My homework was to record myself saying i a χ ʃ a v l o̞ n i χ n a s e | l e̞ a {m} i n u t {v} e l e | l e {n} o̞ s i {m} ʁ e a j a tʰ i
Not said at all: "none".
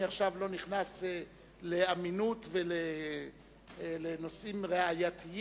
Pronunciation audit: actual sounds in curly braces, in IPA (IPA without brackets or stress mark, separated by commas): m, v, n, m